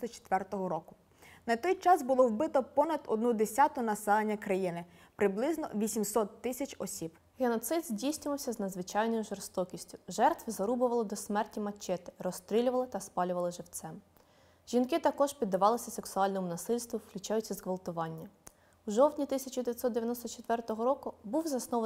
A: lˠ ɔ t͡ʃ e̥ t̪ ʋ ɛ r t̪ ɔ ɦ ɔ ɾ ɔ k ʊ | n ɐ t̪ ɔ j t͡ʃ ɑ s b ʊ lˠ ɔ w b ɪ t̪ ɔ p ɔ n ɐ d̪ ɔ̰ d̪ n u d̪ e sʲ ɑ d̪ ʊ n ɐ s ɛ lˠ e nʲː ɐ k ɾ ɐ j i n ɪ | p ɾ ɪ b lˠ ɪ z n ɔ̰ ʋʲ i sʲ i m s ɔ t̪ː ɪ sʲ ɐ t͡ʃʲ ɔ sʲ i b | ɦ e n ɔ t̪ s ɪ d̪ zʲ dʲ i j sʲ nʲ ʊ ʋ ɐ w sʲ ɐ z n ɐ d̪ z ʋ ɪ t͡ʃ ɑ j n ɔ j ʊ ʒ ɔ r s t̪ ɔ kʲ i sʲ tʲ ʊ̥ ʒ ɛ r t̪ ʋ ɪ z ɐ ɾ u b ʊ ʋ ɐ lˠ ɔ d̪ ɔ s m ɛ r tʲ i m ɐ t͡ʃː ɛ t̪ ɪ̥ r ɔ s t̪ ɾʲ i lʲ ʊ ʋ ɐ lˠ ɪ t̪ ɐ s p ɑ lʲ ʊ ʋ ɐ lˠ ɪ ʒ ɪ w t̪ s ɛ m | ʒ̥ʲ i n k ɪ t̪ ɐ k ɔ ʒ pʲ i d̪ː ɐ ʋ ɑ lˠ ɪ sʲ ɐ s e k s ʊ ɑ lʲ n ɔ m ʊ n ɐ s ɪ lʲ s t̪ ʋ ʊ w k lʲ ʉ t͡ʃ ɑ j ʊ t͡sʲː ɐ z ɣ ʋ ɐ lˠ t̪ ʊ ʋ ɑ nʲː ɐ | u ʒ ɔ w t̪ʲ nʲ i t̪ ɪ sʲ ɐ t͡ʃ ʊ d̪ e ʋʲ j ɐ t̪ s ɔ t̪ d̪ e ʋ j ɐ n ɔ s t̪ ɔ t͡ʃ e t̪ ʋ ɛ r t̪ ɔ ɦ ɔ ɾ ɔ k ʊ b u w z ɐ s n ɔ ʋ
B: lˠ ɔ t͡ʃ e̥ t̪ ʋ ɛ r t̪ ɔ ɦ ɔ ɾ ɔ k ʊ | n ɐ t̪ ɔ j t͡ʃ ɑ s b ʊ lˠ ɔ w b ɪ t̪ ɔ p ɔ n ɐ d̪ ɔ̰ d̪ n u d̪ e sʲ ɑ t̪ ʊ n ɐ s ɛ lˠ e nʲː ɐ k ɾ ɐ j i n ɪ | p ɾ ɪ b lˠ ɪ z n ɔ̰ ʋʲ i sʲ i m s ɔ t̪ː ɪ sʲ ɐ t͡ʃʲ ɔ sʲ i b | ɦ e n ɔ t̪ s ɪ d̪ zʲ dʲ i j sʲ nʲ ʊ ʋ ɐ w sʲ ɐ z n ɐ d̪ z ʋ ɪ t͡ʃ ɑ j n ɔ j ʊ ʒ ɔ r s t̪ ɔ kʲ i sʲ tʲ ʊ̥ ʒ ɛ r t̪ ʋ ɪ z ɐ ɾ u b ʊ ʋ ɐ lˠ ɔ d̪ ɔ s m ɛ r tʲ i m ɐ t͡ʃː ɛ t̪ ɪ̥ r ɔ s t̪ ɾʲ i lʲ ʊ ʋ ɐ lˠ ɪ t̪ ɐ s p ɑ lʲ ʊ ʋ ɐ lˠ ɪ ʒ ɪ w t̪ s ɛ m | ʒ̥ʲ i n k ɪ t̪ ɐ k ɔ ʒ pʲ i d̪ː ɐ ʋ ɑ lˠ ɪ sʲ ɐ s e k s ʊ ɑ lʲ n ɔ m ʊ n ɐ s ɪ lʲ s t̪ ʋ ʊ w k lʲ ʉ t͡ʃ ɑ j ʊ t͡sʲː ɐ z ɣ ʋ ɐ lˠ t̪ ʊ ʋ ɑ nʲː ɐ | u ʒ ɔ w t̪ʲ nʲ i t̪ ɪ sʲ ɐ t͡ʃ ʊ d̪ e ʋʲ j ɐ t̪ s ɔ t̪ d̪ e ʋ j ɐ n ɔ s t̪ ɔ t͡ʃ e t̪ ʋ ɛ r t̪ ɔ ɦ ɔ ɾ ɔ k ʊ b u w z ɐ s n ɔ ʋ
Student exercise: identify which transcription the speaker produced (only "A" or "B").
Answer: B